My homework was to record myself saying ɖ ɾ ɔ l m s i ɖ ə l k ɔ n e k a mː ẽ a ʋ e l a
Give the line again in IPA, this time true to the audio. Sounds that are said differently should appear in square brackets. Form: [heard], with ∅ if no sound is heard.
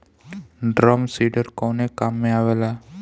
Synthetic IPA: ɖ ɾ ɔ [∅] m s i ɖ ə [ɾ] k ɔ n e k a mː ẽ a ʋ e l a